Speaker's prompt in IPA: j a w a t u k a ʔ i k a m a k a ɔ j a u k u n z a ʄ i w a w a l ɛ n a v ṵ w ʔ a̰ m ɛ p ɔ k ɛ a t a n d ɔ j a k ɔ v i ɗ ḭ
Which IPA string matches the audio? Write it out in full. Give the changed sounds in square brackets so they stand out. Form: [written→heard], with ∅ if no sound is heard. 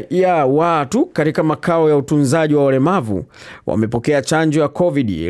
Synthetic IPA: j a w a t u k a [ʔ→t] i k a m a k a ɔ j a u [k→t] u n z a ʄ i w a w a l ɛ [n→m] a v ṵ w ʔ a̰ m ɛ p ɔ k ɛ a [t→t͡ʃ] a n [d→d͡ʒ] ɔ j a k ɔ v i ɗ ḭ